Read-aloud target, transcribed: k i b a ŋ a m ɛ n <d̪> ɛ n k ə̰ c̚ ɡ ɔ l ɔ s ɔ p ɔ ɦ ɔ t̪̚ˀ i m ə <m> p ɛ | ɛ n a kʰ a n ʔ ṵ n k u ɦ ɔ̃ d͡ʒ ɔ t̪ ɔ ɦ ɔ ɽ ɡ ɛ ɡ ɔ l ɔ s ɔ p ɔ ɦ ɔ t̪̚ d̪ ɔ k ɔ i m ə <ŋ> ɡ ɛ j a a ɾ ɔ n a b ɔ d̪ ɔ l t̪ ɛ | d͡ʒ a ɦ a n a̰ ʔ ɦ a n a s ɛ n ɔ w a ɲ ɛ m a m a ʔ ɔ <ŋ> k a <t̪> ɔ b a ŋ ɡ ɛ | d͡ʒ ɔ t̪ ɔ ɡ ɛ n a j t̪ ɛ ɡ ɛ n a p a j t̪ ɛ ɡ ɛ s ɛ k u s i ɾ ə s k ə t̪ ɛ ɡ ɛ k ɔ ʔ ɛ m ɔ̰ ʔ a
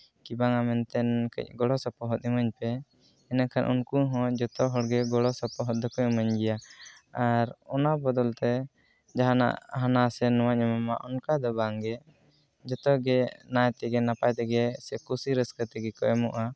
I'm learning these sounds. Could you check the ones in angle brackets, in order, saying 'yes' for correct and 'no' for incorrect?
no, no, no, no, no

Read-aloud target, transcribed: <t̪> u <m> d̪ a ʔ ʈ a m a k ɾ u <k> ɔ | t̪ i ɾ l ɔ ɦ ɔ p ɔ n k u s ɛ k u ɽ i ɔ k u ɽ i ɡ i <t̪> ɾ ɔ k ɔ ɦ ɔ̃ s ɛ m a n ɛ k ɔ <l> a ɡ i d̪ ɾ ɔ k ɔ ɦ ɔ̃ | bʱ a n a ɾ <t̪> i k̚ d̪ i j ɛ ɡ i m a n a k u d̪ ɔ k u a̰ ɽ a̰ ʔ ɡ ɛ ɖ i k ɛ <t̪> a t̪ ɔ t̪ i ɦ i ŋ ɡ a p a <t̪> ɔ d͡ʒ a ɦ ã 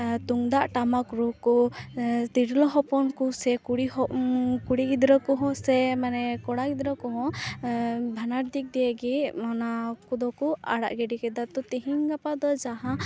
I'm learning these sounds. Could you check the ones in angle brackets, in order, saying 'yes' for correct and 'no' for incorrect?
yes, no, yes, no, no, no, no, no

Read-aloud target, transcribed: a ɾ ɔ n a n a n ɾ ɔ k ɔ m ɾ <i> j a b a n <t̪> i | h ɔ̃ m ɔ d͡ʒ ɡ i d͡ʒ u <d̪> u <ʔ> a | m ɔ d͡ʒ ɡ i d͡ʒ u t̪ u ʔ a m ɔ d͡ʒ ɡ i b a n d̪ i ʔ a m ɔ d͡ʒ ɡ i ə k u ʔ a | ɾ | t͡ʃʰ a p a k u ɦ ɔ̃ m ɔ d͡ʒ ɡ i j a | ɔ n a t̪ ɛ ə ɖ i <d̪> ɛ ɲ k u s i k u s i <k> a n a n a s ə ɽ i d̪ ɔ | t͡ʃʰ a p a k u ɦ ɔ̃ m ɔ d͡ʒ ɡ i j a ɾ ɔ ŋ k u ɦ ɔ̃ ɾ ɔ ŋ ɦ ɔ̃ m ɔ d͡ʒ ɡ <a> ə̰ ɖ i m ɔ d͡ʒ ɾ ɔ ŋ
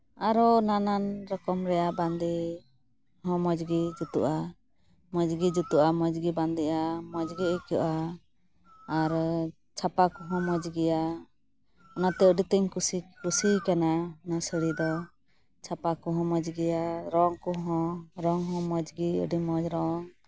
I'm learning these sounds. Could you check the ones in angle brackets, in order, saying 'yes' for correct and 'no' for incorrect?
no, no, no, yes, no, yes, no

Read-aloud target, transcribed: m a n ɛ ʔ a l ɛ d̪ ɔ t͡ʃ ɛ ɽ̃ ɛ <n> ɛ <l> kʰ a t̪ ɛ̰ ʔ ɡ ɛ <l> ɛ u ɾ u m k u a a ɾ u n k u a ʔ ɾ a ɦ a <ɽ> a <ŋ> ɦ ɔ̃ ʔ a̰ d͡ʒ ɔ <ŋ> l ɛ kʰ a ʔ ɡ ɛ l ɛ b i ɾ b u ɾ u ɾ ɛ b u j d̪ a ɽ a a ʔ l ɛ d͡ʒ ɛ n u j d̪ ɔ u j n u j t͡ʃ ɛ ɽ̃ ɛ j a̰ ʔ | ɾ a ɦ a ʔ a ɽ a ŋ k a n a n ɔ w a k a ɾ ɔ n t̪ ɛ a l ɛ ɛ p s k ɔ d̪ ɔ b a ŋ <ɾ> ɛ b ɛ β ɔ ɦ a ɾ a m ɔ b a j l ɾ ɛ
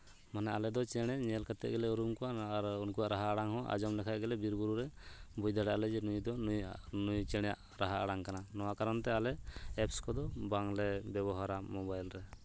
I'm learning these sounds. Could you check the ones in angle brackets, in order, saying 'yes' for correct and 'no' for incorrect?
no, yes, yes, yes, yes, no, no

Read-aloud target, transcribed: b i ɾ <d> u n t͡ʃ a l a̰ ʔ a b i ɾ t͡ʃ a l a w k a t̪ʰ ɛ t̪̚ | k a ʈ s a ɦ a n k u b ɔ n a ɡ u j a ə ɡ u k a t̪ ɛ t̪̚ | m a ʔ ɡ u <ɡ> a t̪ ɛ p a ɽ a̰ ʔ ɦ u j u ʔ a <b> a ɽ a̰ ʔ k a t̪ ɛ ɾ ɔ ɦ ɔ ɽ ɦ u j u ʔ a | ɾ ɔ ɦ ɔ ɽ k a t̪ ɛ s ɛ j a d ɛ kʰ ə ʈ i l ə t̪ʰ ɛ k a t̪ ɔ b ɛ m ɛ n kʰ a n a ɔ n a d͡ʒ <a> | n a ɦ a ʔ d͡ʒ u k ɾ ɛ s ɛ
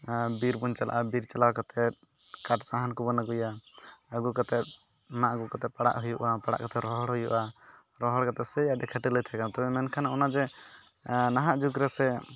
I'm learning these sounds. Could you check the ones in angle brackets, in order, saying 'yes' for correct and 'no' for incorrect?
no, no, no, no

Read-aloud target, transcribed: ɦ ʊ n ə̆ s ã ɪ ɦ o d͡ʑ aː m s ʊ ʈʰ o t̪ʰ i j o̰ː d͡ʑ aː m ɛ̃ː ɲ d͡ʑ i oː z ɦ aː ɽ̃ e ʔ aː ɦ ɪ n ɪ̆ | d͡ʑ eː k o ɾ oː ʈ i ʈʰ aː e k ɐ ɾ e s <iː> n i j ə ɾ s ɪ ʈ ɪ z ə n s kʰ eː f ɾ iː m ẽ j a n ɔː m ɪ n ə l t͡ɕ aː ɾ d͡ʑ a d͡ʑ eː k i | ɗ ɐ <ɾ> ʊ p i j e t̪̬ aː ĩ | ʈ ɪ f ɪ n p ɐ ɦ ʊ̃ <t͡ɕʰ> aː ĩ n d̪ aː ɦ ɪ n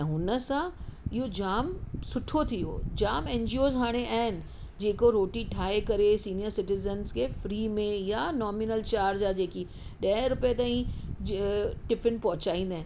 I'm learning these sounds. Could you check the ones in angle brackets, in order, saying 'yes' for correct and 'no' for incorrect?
yes, yes, no

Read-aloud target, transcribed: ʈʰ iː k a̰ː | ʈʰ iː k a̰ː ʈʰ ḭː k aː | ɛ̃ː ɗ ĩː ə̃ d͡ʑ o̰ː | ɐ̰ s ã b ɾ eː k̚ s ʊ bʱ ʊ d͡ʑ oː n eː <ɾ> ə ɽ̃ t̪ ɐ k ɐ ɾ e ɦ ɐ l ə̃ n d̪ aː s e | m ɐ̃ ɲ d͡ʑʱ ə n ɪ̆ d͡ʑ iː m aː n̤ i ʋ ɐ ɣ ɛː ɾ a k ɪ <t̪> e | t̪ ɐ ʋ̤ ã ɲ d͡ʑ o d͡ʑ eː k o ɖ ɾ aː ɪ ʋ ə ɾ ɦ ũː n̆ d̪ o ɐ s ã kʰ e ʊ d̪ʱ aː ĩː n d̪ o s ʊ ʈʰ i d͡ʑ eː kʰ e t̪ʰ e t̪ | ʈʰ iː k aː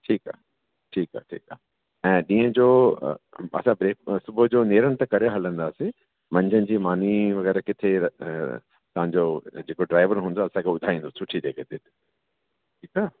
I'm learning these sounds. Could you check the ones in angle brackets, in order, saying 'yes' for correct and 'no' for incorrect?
yes, no

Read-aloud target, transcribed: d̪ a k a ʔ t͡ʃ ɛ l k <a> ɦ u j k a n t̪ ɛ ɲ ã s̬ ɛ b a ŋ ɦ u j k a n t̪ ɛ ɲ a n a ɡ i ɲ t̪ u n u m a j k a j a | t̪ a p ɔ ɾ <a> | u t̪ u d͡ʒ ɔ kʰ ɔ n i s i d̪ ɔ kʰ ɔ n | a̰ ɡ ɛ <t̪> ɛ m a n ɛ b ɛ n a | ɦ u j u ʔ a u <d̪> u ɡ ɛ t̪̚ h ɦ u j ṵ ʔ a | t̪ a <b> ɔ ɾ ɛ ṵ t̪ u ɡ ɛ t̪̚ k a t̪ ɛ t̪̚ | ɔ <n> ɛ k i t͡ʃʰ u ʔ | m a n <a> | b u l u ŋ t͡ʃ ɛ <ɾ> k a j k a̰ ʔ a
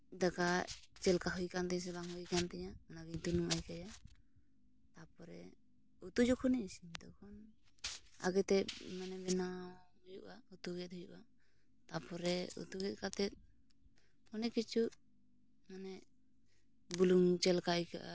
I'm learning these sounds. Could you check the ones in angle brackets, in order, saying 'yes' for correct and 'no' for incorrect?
yes, no, yes, no, no, yes, no, no

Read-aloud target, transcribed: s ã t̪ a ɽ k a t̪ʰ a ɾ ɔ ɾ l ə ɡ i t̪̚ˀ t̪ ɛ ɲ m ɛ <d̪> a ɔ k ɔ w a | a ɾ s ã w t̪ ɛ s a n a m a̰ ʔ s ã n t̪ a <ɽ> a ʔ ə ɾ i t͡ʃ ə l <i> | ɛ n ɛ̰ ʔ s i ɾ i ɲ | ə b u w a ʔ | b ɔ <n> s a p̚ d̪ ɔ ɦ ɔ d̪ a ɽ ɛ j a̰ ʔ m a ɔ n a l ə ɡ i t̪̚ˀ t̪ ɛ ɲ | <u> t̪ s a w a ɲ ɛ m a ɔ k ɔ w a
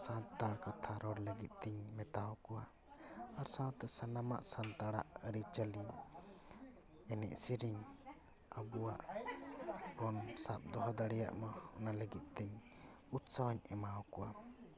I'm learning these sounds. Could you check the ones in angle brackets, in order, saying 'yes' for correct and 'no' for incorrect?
no, yes, yes, yes, yes

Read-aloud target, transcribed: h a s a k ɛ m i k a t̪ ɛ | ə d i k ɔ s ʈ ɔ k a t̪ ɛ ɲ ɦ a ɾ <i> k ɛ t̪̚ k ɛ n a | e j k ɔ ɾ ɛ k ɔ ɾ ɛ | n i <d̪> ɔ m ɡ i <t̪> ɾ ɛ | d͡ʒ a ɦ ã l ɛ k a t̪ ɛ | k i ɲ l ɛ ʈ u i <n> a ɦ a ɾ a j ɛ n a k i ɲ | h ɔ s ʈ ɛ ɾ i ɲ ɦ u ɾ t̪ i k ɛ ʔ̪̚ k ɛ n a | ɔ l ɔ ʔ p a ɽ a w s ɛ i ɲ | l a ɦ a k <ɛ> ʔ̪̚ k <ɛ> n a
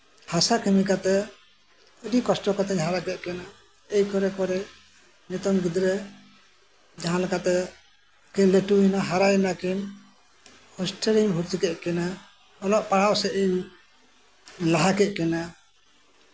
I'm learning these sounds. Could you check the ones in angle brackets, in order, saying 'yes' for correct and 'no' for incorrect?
no, no, no, yes, yes, yes

